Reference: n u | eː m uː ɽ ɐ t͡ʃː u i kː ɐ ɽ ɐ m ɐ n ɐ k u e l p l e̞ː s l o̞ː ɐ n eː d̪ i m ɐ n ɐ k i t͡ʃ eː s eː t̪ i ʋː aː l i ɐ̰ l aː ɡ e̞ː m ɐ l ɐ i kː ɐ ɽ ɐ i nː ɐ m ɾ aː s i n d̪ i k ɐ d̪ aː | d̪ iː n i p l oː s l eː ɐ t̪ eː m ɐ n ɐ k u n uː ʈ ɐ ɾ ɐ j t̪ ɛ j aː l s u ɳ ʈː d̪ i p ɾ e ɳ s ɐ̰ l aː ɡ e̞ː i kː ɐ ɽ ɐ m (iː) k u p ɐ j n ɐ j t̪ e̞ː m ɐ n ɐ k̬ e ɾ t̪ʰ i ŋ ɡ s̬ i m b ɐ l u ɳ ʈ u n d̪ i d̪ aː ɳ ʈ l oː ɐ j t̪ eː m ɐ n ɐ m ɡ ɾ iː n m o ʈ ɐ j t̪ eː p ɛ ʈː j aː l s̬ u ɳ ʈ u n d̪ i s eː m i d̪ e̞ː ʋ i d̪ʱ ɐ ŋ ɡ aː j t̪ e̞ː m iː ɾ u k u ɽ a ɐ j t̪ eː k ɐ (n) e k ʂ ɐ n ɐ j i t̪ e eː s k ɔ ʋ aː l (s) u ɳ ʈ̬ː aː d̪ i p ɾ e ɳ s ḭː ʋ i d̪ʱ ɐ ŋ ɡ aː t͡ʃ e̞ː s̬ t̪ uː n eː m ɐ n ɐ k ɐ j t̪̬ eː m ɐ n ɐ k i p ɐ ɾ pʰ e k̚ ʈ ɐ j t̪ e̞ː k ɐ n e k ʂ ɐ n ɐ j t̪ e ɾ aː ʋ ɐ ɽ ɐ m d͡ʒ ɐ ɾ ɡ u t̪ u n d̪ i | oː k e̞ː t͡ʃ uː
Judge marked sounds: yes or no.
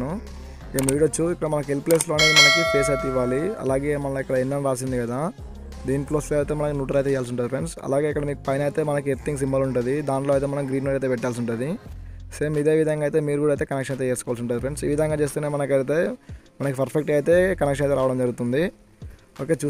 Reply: yes, yes, yes

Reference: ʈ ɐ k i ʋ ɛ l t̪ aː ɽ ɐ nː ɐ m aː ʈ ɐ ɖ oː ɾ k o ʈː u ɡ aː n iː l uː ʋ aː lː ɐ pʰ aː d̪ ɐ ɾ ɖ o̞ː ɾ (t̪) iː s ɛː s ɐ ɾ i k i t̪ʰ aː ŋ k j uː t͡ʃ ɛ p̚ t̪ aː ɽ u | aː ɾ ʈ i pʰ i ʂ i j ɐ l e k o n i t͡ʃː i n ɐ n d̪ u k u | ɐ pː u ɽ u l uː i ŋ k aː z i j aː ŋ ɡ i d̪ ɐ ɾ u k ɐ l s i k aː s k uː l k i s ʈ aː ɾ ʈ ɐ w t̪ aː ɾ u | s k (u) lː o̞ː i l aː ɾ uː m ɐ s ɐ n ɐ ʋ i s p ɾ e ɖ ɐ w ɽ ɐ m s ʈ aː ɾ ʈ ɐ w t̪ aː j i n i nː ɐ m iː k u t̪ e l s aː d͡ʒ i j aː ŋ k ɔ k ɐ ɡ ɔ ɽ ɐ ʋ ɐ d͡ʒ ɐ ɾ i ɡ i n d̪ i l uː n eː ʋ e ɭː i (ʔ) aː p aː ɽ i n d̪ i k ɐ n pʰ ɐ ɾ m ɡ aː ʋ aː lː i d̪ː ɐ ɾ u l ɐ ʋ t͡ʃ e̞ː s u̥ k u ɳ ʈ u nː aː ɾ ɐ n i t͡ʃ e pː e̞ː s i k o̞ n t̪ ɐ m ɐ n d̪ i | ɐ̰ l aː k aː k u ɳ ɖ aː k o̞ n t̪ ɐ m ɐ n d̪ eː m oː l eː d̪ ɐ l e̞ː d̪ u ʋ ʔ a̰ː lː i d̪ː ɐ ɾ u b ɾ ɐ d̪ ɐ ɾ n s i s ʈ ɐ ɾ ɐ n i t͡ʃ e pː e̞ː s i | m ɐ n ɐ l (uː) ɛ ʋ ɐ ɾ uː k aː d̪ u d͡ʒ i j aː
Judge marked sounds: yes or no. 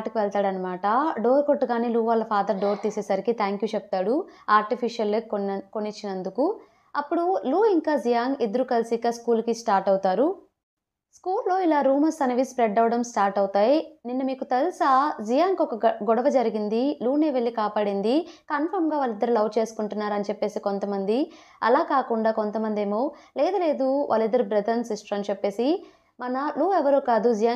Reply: yes, no, no, yes

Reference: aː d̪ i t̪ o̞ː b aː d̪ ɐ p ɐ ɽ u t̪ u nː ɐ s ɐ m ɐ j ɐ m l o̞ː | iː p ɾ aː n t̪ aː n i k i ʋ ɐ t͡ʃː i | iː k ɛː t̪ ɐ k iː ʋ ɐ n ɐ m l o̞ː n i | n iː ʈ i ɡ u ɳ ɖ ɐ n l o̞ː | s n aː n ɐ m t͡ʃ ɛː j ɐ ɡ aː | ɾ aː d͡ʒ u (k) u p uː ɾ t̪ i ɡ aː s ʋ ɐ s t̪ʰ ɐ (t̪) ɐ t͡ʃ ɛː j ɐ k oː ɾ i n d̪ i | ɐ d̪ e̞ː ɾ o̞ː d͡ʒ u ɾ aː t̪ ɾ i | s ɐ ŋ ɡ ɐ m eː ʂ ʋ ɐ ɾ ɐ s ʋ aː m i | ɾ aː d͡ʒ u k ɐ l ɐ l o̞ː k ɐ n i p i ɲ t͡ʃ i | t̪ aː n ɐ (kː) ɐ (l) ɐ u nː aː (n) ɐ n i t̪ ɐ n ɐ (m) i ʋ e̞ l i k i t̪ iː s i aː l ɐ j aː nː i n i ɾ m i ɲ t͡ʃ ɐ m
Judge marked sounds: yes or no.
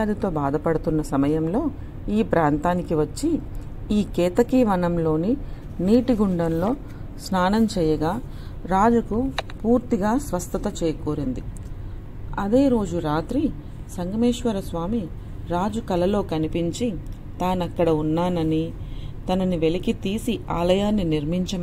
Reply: yes, yes, yes, no, yes, no

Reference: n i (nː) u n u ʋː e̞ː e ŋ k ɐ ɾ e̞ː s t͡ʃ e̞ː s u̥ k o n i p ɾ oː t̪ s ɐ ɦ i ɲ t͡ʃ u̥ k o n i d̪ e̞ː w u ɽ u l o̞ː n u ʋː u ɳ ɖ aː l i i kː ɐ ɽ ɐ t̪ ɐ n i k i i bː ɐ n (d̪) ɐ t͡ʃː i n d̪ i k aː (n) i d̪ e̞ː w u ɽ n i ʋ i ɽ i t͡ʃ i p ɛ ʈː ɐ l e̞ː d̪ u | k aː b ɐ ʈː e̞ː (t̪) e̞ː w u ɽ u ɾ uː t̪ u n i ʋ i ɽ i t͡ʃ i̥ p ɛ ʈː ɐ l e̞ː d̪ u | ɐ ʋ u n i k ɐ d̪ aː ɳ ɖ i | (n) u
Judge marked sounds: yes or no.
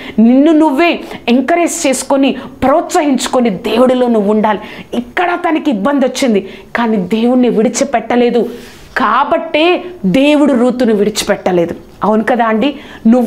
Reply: yes, yes, yes, no, yes

